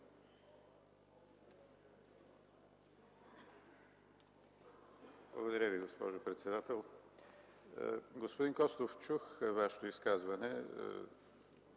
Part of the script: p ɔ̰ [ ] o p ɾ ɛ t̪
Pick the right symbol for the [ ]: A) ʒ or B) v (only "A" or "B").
A